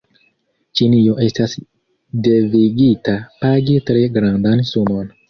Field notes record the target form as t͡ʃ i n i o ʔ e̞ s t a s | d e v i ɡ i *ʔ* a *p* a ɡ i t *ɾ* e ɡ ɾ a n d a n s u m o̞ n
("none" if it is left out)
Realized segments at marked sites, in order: t, p, ɾ

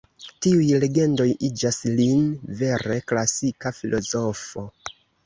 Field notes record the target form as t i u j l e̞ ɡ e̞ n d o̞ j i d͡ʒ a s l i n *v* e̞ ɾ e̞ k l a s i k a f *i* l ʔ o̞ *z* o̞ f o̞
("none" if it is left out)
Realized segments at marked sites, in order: v, i, z

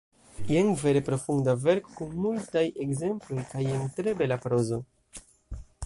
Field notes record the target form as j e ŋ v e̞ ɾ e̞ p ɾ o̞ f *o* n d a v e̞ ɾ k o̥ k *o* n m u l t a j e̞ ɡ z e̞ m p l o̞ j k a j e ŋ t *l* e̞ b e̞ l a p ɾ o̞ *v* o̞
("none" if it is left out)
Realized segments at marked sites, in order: u, u, ɾ, z

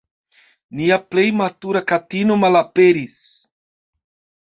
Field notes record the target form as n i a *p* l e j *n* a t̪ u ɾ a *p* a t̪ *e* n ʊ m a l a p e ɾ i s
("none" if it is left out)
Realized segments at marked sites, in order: p, m, k, i

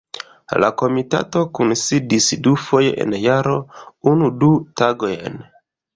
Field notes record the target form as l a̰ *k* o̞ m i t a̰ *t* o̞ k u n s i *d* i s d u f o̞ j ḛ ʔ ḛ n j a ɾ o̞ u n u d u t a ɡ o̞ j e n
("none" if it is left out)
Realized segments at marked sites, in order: k, t, d

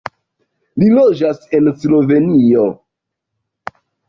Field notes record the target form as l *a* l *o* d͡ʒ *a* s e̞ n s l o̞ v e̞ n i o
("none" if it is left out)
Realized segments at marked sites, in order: i, o, a

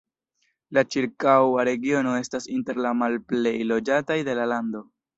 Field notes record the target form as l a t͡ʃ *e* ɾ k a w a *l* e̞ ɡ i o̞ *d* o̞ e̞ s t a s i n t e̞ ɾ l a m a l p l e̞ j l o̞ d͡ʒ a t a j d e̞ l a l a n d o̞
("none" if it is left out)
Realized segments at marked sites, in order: i, ɾ, n

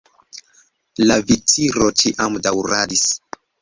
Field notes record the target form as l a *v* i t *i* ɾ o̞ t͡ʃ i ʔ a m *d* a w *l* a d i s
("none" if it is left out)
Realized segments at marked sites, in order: v, i, d, ɾ

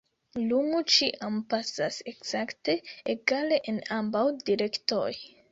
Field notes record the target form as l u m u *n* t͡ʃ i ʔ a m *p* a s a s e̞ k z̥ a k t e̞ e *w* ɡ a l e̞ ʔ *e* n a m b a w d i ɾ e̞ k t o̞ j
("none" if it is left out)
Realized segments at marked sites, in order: none, p, none, e

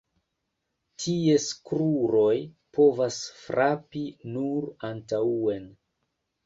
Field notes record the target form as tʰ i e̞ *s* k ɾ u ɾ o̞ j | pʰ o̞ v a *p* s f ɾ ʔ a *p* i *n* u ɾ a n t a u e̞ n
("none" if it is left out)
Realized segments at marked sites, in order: s, none, p, n

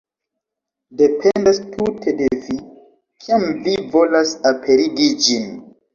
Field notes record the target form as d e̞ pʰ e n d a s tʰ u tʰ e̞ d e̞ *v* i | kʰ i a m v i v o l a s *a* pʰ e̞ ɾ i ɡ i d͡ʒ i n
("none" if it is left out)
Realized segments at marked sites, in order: v, a

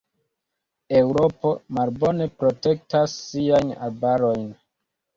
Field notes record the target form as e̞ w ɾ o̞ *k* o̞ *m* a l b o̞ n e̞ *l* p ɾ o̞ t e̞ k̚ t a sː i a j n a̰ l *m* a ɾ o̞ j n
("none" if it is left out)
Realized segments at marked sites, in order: p, m, none, b

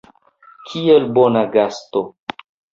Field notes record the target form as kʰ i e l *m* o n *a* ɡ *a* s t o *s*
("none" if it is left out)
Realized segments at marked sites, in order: b, a, a, none

